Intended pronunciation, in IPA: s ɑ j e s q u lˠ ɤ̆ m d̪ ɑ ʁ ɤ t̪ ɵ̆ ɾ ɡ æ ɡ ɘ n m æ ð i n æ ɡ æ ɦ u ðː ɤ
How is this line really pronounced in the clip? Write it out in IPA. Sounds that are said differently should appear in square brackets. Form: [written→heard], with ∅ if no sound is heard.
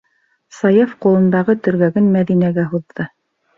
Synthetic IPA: s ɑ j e [s→f] q u lˠ ɤ̆ [m→n] d̪ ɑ ʁ ɤ t̪ ɵ̆ ɾ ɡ æ ɡ ɘ n m æ ð i n æ ɡ æ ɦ u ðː ɤ

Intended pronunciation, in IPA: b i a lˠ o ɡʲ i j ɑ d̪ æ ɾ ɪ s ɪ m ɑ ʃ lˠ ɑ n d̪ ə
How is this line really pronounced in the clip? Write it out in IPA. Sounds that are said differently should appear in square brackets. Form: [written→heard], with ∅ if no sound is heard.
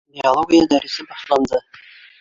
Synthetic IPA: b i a lˠ o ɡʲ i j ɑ d̪ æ ɾ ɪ s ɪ [m→b] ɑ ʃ lˠ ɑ n d̪ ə

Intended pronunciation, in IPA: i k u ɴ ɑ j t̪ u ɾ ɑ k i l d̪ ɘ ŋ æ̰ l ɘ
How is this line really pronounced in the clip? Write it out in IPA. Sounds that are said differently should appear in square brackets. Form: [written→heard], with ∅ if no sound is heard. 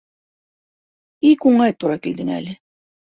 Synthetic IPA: i k u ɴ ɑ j t̪ u ɾ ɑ k i l d̪ ɘ ŋ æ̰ l ɘ

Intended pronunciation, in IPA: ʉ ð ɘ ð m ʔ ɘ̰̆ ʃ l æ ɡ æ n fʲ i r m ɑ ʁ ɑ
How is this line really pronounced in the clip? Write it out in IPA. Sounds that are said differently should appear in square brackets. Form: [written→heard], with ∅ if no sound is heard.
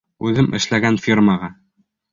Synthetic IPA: ʉ ð ɘ [ð→∅] m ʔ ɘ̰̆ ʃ l æ ɡ æ n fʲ i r m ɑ ʁ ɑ

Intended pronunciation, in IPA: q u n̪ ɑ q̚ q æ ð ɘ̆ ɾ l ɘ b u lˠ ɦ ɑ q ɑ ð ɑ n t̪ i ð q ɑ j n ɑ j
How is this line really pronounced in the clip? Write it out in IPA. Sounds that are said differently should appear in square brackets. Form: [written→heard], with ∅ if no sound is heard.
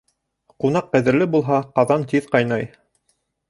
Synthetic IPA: q u n̪ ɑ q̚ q æ ð ɘ̆ ɾ l ɘ b u lˠ ɦ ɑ q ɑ ð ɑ n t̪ i ð q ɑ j n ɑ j

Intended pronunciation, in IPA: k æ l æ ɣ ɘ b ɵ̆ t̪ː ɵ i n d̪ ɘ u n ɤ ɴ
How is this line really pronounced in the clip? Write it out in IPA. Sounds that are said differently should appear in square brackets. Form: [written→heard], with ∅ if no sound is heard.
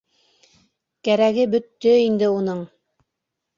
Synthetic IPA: k æ [l→ɾ] æ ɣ ɘ b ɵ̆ t̪ː ɵ i n d̪ ɘ u n ɤ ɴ

